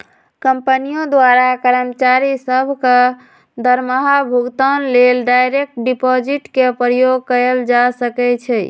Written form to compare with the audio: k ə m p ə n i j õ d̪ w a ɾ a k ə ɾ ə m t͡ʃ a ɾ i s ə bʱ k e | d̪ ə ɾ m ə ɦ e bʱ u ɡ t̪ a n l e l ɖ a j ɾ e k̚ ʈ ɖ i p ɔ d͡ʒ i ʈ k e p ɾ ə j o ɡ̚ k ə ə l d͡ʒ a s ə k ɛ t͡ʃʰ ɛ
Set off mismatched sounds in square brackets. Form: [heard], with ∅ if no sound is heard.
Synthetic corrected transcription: k ə m p ə n i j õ d̪ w a ɾ a k ə ɾ ə m t͡ʃ a ɾ i s ə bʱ k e | d̪ ə ɾ m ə ɦ [a] bʱ u ɡ t̪ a n l e l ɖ a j ɾ e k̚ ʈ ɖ i p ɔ d͡ʒ i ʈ k e p ɾ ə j o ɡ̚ k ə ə l d͡ʒ a s ə k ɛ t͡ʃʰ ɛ